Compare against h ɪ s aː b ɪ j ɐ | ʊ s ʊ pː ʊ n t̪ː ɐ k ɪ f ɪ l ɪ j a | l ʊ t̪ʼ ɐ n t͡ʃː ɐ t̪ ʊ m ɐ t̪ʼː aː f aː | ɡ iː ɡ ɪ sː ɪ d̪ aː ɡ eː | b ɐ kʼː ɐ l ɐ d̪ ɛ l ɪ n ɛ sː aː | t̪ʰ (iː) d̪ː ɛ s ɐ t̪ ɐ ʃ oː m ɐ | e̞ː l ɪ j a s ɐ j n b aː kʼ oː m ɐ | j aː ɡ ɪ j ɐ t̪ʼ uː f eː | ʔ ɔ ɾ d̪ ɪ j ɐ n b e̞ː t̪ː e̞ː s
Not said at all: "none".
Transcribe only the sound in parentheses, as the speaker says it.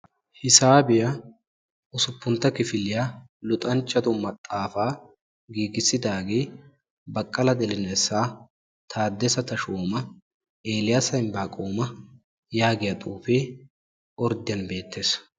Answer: aː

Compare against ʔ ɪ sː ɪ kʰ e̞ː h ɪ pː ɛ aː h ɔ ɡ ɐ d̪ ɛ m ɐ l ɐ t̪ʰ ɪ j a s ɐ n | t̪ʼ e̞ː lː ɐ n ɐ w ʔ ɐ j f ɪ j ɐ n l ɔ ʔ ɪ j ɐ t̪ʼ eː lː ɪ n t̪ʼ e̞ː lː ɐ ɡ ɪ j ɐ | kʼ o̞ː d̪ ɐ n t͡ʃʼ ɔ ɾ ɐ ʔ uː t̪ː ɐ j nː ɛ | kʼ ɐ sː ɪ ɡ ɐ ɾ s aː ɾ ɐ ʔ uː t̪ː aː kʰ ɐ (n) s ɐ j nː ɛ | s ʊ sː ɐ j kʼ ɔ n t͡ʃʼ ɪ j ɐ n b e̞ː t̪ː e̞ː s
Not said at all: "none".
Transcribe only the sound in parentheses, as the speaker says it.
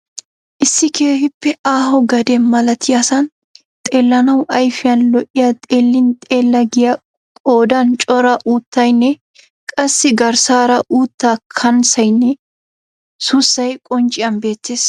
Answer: n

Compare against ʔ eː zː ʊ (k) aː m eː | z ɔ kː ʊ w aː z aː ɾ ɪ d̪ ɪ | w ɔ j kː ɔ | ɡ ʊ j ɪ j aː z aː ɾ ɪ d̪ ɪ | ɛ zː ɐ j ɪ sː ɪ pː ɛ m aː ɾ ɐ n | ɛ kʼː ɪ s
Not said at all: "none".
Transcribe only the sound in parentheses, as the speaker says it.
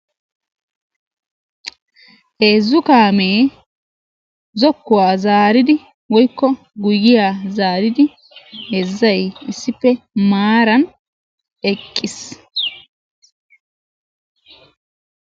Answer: k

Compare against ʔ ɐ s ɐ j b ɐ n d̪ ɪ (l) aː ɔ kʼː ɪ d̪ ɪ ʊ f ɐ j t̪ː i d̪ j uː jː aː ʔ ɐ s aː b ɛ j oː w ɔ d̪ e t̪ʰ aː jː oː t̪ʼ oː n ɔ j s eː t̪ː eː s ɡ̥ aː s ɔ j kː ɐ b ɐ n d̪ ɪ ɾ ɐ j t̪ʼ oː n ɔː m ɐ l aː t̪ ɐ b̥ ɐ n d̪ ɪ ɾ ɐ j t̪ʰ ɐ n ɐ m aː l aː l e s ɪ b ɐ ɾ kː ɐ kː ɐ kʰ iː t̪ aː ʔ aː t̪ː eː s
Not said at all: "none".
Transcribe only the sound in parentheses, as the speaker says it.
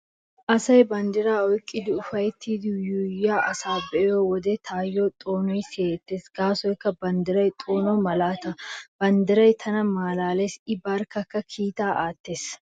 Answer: ɾ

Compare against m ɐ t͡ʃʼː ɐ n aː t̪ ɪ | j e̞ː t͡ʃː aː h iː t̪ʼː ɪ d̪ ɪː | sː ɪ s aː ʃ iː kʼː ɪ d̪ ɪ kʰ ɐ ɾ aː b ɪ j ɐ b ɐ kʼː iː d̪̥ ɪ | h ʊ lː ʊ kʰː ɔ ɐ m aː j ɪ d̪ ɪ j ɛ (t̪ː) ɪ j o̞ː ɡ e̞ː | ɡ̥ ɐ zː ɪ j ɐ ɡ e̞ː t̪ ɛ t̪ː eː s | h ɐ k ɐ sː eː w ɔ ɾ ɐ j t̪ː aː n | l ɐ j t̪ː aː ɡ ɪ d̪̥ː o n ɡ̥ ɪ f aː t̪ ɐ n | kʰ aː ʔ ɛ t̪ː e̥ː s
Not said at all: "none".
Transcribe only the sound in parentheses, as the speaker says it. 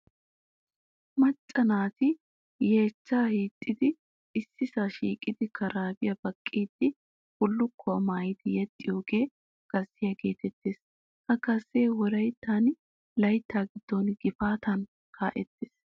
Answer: t̪ʼː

